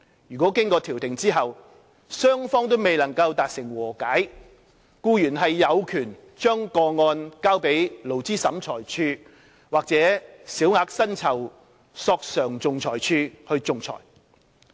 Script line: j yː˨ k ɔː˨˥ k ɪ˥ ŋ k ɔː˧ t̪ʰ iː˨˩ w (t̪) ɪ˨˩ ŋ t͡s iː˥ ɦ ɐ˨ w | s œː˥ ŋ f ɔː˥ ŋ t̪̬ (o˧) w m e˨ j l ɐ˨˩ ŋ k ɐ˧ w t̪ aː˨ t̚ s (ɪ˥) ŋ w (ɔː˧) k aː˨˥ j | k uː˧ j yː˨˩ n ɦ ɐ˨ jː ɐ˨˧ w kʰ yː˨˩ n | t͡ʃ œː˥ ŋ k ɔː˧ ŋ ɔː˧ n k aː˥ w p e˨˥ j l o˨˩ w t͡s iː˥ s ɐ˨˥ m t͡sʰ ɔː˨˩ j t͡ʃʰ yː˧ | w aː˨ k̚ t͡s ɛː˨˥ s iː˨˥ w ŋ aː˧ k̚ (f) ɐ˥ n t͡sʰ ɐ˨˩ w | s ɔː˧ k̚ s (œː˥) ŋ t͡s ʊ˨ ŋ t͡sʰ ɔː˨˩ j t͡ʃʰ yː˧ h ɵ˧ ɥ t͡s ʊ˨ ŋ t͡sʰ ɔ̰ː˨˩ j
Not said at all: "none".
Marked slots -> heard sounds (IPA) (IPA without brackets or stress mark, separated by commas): t̪, o˥, ɪ˨˩, ɔː˨˩, s, œː˨˩